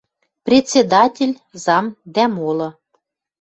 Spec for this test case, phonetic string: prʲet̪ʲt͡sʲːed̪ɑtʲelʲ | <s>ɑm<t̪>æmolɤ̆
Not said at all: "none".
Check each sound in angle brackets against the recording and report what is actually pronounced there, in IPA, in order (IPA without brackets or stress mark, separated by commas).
z, d̪